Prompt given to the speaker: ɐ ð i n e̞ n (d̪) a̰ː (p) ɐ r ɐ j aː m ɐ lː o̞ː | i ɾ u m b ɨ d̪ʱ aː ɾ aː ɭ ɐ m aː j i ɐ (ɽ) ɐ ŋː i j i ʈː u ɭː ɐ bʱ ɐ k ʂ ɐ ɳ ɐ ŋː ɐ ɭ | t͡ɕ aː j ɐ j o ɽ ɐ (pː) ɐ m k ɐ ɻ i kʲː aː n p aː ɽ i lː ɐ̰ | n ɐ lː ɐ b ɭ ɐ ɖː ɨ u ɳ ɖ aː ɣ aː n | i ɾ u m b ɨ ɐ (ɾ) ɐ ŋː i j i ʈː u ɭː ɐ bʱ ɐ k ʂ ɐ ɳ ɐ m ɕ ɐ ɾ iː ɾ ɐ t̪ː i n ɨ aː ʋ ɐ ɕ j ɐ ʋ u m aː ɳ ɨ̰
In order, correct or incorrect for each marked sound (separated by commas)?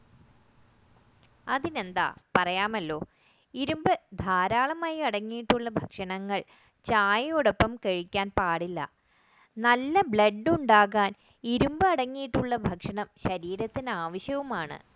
correct, correct, correct, correct, incorrect